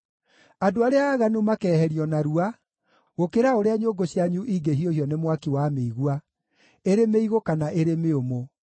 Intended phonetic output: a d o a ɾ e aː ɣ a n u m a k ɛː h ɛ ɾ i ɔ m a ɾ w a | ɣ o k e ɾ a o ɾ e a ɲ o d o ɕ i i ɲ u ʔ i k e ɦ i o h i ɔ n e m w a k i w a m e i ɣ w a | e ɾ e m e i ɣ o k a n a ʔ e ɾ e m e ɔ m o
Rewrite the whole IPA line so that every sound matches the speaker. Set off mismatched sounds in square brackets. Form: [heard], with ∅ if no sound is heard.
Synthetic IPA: a d o a ɾ e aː ɣ a n u m a k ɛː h ɛ ɾ i ɔ [n] a ɾ [u] a | ɣ o k e ɾ a o ɾ e a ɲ o [ɡ] o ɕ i [a] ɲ u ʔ i [ɡ] e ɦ i o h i ɔ n e m w a k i w a m e i ɣ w a | e ɾ e m e i ɣ o k a n a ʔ e ɾ e m e [o] m o